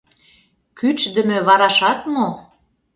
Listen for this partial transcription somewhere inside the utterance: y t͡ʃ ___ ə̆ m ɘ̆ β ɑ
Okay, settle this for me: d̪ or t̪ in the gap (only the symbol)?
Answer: d̪